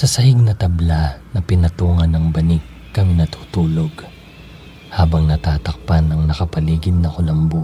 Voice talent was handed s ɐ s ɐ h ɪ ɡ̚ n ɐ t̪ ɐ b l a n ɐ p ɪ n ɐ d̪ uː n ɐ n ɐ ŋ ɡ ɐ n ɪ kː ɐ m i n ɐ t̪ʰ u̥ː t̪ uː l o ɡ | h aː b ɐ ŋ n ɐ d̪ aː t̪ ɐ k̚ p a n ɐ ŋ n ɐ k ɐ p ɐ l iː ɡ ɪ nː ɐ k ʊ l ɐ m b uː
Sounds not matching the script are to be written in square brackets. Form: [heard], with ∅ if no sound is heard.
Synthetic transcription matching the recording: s ɐ s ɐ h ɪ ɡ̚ n ɐ t̪ ɐ b l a n ɐ p ɪ n ɐ [t̪] uː [ŋ] ɐ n ɐ ŋ [b] ɐ n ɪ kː ɐ m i n ɐ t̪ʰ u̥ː t̪ uː l o ɡ | h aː b ɐ ŋ n ɐ [t̪] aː t̪ ɐ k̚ p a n ɐ ŋ n ɐ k ɐ p ɐ l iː ɡ ɪ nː ɐ k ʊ l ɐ m b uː